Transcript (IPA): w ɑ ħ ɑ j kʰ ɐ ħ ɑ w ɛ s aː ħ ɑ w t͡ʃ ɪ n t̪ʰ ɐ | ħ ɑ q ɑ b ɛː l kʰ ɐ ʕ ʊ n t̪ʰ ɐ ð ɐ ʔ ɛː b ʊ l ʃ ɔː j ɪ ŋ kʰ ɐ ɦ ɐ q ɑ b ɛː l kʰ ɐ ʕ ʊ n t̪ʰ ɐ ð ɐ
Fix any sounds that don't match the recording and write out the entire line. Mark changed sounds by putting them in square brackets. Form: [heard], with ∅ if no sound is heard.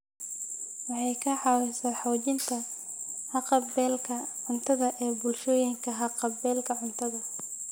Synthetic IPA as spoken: w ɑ ħ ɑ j kʰ ɐ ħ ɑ w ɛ s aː ħ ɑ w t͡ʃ ɪ n t̪ʰ ɐ | [h] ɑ q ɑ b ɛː l kʰ ɐ ʕ ʊ n t̪ʰ ɐ ð ɐ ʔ ɛː b ʊ l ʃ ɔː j ɪ ŋ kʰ ɐ ɦ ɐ q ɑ b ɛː l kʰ ɐ ʕ ʊ n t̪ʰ ɐ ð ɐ